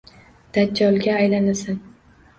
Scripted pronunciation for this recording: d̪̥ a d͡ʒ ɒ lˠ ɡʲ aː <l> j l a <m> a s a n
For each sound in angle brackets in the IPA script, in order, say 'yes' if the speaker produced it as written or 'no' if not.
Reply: no, no

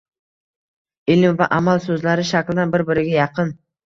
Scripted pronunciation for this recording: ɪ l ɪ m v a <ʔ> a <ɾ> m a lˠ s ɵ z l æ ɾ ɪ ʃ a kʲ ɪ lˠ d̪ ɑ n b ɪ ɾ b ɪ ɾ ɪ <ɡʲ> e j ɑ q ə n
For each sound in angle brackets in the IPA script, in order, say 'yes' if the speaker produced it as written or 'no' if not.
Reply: yes, no, yes

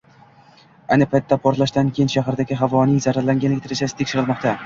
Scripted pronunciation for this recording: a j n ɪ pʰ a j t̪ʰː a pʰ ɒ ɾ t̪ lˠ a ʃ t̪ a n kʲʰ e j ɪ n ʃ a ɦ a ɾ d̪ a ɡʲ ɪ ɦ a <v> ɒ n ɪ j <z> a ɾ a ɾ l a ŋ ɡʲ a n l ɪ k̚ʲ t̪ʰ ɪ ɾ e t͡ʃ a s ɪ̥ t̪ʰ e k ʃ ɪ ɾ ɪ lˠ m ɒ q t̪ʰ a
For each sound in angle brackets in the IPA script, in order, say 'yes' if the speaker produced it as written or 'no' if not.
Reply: yes, yes

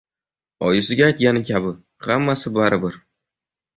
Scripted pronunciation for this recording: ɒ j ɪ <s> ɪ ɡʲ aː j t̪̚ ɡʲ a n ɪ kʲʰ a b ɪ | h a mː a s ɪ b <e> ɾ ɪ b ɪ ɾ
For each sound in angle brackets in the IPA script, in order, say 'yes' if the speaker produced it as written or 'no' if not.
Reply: yes, no

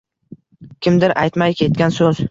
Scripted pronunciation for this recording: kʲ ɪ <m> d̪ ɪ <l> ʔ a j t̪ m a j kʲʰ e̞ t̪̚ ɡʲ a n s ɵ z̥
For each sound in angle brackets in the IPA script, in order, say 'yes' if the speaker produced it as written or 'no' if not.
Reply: yes, no

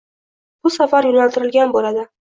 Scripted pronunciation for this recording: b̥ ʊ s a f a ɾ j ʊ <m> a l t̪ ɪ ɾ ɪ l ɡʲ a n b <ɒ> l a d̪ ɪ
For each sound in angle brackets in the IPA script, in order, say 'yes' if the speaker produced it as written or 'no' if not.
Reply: no, no

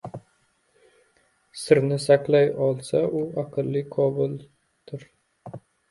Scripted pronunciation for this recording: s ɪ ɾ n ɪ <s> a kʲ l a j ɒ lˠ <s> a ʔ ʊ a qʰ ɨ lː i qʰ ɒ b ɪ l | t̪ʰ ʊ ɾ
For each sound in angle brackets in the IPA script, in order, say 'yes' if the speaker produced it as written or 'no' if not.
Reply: yes, yes

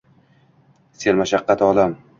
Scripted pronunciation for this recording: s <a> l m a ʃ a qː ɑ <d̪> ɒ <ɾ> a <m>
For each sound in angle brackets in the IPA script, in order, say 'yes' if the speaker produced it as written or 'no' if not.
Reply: no, no, no, yes

